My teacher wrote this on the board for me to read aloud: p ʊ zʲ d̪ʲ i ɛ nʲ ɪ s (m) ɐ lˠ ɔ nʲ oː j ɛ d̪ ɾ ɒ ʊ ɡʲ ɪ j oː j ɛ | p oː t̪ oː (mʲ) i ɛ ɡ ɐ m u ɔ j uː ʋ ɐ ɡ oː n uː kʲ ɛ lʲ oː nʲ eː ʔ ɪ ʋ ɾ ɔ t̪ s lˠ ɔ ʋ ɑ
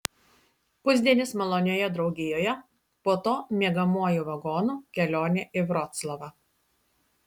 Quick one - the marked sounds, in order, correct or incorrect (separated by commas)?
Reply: correct, correct